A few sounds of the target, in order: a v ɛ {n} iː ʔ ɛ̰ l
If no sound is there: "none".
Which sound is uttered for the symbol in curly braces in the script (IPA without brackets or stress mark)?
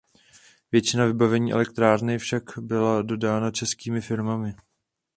ɲ